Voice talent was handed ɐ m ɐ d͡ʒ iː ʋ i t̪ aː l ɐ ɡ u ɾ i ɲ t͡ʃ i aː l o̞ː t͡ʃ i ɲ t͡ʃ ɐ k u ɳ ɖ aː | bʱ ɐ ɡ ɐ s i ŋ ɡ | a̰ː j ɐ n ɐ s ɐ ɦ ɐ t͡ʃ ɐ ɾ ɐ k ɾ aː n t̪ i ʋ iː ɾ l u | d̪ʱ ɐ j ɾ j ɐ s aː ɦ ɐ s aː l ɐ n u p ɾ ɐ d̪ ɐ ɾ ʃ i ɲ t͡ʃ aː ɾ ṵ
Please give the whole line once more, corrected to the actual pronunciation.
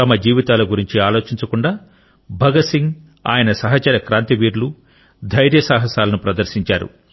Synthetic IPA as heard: ɐ m ɐ d͡ʒ iː ʋ i t̪ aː l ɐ ɡ u ɾ i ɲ t͡ʃ i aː l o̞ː t͡ʃ i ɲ t͡ʃ ɐ k u ɳ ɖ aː | bʱ ɐ ɡ ɐ s i ŋ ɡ | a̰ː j ɐ n ɐ s ɐ ɦ ɐ t͡ʃ ɐ ɾ ɐ k ɾ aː n t̪ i ʋ iː ɾ l u | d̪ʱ ɐ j ɾ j ɐ s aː ɦ ɐ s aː l ɐ n u p ɾ ɐ d̪ ɐ ɾ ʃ i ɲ t͡ʃ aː ɾ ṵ